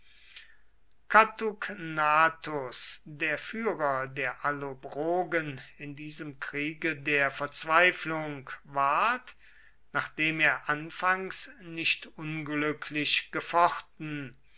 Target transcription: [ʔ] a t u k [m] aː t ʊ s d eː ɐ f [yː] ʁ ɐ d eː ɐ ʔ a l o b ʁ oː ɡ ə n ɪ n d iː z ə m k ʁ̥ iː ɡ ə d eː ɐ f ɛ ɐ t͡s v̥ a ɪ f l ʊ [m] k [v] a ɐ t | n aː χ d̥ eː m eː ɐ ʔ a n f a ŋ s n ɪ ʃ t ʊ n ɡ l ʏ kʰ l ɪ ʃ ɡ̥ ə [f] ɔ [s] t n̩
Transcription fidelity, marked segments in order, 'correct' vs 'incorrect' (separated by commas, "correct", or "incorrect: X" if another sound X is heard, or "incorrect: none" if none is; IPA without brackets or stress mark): incorrect: k, incorrect: n, correct, incorrect: ŋ, correct, correct, incorrect: χ